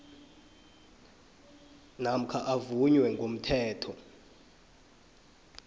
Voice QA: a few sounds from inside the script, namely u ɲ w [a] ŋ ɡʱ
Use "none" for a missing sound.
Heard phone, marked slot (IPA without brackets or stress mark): ɛ